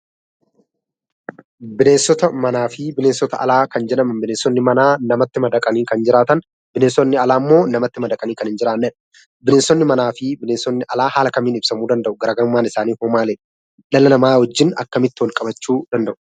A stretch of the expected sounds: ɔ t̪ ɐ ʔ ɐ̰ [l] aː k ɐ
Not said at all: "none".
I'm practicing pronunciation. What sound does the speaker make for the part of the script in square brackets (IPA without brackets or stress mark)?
l